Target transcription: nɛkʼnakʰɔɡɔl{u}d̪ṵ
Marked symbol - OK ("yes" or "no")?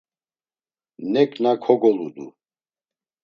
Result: yes